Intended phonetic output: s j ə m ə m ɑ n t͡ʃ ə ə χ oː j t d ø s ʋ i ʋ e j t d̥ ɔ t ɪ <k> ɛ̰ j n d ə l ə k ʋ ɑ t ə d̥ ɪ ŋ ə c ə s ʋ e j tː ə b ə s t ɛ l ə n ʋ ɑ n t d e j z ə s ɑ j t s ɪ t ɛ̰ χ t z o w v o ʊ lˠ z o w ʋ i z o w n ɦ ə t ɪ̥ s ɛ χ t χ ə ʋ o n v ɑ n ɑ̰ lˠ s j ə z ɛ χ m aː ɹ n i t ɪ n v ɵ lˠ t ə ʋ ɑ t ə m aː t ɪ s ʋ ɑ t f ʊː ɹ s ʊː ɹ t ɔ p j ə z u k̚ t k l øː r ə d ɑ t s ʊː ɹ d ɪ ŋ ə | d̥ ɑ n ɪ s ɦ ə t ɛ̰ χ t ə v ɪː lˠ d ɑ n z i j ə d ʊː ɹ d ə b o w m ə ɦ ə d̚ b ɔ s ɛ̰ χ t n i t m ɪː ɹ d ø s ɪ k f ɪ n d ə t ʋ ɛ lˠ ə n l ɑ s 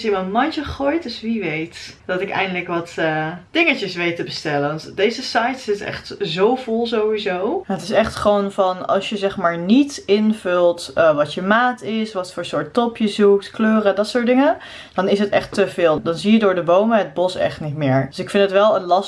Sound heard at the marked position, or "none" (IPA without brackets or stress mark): k